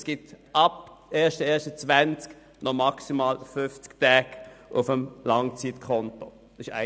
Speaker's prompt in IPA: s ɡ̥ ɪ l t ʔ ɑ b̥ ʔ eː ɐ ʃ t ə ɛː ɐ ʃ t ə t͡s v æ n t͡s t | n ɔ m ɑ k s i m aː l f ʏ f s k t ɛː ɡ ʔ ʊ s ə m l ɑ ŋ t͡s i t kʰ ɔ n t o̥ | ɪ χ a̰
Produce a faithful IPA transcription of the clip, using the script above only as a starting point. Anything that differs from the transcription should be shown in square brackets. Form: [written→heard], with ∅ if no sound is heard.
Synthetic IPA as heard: s ɡ̥ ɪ [l→∅] t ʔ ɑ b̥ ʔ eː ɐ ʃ t ə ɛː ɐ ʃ t ə t͡s v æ n t͡s [t→k] | n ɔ m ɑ k s i m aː l f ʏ f [s→t͡s] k t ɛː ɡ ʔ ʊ [s→f] ə m l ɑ ŋ t͡s i t kʰ ɔ n t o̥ | ɪ [χ→ʃ] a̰